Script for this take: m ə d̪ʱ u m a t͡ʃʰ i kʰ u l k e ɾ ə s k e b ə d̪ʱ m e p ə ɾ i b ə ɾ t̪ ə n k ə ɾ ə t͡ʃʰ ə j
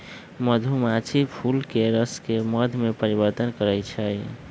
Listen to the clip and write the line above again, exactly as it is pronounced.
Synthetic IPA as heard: m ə d̪ʱ u m a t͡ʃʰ i pʰ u l k e ɾ ə s k e m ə d̪ʱ m e p ə ɾ i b ə ɾ t̪ ə n k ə ɾ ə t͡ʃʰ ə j